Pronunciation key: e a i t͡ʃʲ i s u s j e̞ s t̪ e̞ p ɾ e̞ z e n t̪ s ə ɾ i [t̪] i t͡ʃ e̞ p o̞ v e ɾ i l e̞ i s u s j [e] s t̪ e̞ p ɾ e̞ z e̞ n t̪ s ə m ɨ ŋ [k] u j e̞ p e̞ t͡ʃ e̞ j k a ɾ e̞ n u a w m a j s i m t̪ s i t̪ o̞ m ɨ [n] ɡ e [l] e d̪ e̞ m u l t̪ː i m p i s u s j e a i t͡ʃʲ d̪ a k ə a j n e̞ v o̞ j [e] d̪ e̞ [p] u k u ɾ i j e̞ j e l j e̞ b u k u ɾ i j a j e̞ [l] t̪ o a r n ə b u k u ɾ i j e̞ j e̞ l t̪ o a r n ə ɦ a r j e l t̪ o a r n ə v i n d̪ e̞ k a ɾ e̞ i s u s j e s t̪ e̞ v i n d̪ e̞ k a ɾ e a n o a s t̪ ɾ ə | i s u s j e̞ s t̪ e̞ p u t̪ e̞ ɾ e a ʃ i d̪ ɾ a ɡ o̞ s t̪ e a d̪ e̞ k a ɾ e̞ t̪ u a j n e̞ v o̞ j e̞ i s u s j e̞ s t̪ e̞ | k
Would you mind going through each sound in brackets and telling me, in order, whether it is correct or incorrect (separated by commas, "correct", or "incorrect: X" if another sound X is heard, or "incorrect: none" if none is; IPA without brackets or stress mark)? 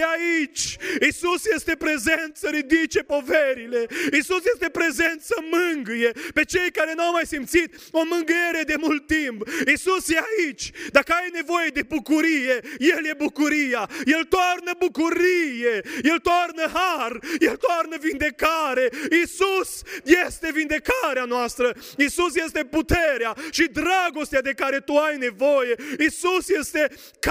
incorrect: d̪, correct, incorrect: ɡ, incorrect: ŋ, incorrect: ɾ, correct, incorrect: b, correct